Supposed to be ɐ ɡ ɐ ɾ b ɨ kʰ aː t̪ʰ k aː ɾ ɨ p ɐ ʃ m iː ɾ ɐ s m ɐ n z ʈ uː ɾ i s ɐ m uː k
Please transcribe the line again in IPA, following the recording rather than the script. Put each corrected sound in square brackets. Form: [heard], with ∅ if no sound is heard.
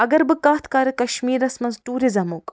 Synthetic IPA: ɐ ɡ ɐ ɾ b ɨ [k] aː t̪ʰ k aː ɾ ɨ [k] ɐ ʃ m iː ɾ ɐ s m ɐ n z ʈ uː ɾ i [z] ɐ m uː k